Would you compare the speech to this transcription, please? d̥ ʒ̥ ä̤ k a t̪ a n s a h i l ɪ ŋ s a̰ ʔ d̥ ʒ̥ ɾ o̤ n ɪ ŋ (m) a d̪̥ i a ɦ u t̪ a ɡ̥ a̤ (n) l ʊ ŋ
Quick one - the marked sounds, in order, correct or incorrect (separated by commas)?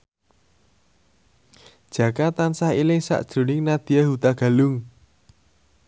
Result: incorrect, incorrect